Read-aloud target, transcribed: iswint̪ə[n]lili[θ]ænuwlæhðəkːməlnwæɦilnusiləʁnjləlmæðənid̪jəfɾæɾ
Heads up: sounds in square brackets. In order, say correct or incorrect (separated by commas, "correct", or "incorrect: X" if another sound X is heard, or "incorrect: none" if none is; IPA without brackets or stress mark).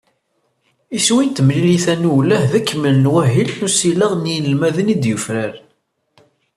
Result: incorrect: m, correct